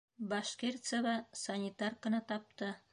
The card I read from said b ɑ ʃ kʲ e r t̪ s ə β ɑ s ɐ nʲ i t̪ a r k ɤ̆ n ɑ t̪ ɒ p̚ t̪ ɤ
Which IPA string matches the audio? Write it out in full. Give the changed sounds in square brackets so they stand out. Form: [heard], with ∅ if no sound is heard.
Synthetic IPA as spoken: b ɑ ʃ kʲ e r t̪ s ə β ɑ s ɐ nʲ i t̪ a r k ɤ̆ n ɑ t̪ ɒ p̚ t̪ ɤ